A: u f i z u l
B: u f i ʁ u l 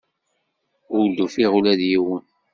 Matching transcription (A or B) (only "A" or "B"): B